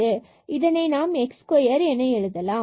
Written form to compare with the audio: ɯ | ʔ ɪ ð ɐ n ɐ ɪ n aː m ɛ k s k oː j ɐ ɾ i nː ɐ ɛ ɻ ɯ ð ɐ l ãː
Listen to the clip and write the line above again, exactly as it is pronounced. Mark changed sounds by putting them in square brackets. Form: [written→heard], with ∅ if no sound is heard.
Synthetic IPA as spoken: ɯ | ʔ ɪ ð ɐ n ɐ ɪ n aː m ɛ k s k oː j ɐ ɾ [i→ɛ] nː ɐ ɛ ɻ ɯ ð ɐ l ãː